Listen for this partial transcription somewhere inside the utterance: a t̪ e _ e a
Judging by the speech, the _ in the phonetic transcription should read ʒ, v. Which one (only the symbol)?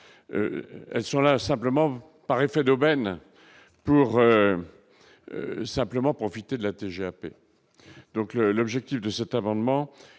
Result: ʒ